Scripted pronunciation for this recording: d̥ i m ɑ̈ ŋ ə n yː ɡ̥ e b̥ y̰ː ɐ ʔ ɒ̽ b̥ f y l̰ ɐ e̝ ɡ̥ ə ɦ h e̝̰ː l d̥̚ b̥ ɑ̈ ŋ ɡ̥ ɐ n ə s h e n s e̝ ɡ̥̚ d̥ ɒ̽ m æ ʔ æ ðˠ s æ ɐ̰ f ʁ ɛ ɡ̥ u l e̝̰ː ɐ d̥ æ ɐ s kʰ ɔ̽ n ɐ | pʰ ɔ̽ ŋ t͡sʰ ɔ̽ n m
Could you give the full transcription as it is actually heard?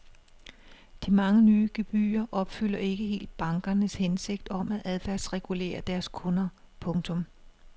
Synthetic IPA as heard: d̥ i m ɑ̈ ŋ ə n yː ɡ̥ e b̥ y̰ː ɐ ʔ ɒ̽ b̥ f y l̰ ɐ e̝ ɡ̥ ə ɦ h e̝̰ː l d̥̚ b̥ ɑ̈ ŋ ɡ̥ ɐ n ə s h e n s e̝ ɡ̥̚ d̥ ɒ̽ m æ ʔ æ ðˠ f æ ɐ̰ s ʁ ɛ ɡ̥ u l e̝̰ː ɐ d̥ æ ɐ s kʰ ɔ̽ n ɐ | pʰ ɔ̽ ŋ t͡sʰ ɔ̽ m